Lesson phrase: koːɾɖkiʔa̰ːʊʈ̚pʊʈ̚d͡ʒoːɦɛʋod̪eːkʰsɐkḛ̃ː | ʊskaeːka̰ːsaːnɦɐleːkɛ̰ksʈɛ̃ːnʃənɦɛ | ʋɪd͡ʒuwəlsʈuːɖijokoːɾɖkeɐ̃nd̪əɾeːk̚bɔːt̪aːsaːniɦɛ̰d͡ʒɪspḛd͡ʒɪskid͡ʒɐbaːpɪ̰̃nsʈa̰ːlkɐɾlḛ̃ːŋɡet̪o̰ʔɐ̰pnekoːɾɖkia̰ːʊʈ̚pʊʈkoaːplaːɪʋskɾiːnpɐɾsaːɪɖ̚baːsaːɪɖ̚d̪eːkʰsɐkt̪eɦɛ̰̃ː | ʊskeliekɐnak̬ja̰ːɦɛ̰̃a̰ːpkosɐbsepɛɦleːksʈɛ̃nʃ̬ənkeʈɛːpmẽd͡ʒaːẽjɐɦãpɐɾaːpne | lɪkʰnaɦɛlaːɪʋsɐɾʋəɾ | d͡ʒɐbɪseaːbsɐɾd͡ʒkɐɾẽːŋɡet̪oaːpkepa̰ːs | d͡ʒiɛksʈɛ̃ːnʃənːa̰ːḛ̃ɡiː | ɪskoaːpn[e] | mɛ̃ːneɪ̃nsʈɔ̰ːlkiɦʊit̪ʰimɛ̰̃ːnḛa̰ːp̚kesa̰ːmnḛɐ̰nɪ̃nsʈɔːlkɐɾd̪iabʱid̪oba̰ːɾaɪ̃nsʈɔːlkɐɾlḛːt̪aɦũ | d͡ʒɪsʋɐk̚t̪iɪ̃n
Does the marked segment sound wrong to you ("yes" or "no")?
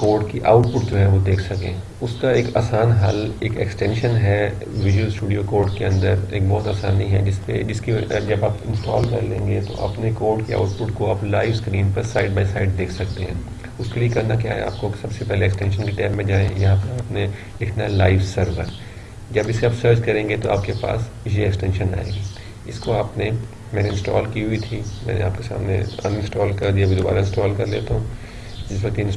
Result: no